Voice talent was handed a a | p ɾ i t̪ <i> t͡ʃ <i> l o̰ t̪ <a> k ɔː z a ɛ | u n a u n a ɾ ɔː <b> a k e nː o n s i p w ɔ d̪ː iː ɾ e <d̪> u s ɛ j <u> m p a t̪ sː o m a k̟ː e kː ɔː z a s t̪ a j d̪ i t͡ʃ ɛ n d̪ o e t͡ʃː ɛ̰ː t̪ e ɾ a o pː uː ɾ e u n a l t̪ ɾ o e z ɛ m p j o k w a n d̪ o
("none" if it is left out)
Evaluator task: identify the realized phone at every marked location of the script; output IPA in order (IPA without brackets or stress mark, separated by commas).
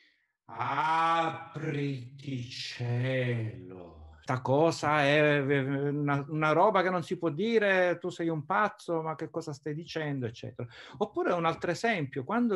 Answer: i, ɛ, a, b, t̪, u